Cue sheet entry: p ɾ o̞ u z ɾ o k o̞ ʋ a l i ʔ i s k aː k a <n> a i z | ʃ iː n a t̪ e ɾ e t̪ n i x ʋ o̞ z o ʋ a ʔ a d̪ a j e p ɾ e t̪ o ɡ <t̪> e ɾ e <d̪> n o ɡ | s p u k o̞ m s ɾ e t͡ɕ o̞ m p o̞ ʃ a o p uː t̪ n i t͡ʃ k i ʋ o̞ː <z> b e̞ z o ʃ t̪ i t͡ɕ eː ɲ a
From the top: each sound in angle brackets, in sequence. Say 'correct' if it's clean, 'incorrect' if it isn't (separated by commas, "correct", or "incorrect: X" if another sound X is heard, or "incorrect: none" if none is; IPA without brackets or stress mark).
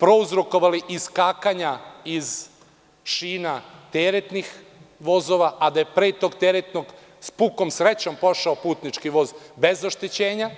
incorrect: ɲ, correct, incorrect: t̪, correct